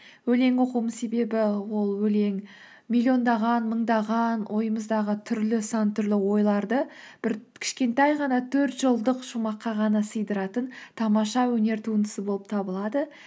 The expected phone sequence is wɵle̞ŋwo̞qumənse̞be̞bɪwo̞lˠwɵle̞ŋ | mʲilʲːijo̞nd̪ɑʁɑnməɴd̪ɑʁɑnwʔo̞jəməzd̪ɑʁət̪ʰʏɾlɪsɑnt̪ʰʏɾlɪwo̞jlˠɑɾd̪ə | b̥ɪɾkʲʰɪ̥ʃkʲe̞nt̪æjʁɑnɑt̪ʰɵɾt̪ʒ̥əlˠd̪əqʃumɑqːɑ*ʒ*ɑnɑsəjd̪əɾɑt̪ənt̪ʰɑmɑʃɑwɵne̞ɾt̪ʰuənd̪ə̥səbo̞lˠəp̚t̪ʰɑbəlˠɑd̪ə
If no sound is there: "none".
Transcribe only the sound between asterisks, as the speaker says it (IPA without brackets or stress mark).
ʁ